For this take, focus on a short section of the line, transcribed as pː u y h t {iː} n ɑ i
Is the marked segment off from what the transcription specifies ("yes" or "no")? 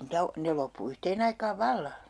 yes